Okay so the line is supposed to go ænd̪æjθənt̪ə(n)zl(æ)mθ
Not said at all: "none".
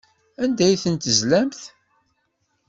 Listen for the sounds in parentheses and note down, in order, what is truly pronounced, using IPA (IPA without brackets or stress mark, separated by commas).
none, æ